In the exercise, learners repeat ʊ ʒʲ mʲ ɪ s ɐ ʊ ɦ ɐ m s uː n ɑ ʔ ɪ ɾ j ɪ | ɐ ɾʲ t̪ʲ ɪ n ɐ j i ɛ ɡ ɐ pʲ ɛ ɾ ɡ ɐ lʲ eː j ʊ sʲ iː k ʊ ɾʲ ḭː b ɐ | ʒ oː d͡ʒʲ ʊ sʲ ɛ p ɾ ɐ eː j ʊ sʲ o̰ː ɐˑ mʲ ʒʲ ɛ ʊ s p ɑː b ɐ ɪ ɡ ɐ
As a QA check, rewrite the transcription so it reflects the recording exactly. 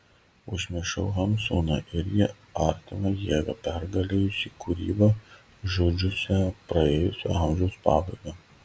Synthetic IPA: ʊ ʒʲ mʲ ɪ ʃ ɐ ʊ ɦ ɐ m s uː n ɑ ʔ ɪ ɾ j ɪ | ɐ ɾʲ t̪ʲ ɪ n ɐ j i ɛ ɡ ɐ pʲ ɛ ɾ ɡ ɐ lʲ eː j ʊ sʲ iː k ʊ ɾʲ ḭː b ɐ | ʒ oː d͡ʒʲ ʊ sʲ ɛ p ɾ ɐ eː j ʊ sʲ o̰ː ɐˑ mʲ ʒʲ ɛ ʊ s p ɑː b ɐ ɪ ɡ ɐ